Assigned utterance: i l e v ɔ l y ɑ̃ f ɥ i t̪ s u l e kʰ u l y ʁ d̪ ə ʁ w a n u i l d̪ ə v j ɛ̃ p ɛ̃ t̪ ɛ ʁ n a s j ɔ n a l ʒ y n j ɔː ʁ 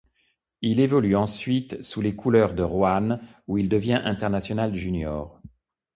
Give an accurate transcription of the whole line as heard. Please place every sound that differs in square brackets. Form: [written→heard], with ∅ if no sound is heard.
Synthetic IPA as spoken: i l e v ɔ l y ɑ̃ [f→s] ɥ i t̪ s u l e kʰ u l [y→œ] ʁ d̪ ə ʁ w a n u i l d̪ ə v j ɛ̃ [p→ʔ] ɛ̃ t̪ ɛ ʁ n a s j ɔ n a l ʒ y n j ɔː ʁ